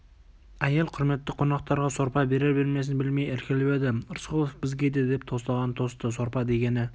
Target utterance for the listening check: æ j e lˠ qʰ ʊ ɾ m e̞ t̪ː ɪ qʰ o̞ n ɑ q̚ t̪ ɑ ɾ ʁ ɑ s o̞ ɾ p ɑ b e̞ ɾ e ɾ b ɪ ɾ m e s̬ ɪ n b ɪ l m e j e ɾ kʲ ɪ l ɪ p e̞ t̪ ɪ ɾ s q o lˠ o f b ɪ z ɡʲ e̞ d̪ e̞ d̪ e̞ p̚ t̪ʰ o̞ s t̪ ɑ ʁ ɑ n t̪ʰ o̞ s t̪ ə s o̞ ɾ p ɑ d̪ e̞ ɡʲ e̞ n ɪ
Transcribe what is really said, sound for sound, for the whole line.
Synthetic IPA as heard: æ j e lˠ qʰ ʊ ɾ m e̞ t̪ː ɪ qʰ o̞ n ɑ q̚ t̪ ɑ ɾ ʁ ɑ s o̞ ɾ p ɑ b e̞ ɾ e ɾ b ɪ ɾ m e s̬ ɪ n b ɪ l m e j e ɾ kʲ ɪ l ɪ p e̞ d̪ ɪ ɾ s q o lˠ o f b ɪ z ɡʲ e̞ d̪ e̞ d̪ e̞ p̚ t̪ʰ o̞ s t̪ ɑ ʁ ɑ n t̪ʰ o̞ s t̪ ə s o̞ ɾ p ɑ d̪ e̞ ɡʲ e̞ n ɪ